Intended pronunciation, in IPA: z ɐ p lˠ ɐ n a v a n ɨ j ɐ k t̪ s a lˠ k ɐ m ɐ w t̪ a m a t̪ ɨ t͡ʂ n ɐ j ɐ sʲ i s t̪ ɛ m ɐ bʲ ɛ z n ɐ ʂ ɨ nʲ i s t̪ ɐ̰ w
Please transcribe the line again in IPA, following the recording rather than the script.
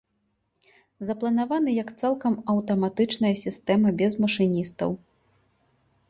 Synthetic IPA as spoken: z ɐ p lˠ ɐ n a v a n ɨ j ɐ k t̪ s a lˠ k ɐ m ɐ w t̪ ɐ m a t̪ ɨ t͡ʂ n ɐ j ɐ sʲ i s t̪ ɛ m ɐ bʲ ɛ z m ɐ ʂ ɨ nʲ i s t̪ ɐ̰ w